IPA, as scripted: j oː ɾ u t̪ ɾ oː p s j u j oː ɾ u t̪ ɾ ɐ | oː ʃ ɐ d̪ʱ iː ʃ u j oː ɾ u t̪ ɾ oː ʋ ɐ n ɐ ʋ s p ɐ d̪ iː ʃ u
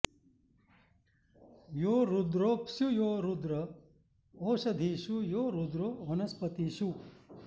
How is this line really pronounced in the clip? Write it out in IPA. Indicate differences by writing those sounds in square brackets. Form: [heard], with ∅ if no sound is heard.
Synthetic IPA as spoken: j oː ɾ u [d̪] ɾ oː p s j u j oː ɾ u [d̪] ɾ ɐ | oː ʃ ɐ d̪ʱ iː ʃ u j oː ɾ u [d̪] ɾ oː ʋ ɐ n ɐ [∅] s p ɐ [t̪] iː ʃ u